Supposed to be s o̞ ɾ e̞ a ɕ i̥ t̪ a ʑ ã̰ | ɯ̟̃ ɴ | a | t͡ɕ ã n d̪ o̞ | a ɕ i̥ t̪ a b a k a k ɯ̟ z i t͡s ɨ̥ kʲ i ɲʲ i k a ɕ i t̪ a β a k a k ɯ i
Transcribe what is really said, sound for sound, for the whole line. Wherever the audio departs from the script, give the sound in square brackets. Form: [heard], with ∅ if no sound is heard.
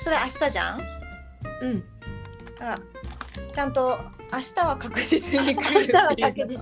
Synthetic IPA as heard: s o̞ ɾ e̞ a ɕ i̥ t̪ a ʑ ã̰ | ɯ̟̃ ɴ | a | t͡ɕ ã n [t̪] o̞ | a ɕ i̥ t̪ a [β] a k a k ɯ̟ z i t͡s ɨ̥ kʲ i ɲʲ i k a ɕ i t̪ a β a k a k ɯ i